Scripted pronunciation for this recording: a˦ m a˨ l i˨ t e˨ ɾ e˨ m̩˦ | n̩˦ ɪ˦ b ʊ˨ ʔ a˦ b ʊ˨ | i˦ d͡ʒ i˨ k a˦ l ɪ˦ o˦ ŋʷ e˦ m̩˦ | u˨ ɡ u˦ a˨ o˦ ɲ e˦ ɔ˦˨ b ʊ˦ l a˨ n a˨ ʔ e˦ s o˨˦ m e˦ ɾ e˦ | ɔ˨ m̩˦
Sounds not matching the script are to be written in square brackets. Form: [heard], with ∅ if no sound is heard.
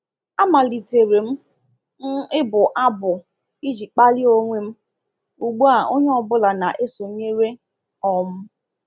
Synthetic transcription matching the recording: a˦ m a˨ l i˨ t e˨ ɾ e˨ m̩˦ | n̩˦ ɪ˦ b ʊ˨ ʔ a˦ b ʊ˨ | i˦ d͡ʒ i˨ [k͡p] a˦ l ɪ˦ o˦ ŋʷ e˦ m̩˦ | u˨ [ɡ͡b] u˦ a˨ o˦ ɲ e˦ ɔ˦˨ b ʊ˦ l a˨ n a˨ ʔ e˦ s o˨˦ [ɲ] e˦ ɾ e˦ | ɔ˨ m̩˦